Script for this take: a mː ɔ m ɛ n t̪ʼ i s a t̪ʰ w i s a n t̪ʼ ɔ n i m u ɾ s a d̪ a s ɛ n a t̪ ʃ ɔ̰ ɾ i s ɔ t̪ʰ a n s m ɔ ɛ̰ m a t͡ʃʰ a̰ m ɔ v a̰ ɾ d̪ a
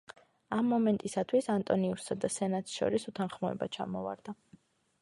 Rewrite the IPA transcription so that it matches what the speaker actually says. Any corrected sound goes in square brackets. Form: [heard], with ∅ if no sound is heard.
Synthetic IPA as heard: a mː ɔ m ɛ n t̪ʼ i s a t̪ʰ w i s a n t̪ʼ ɔ n i [∅] u ɾ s a d̪ a s ɛ n a t̪ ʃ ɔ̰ ɾ i s [u] t̪ʰ a n [χ] m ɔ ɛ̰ [b] a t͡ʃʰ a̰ m ɔ v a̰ ɾ d̪ a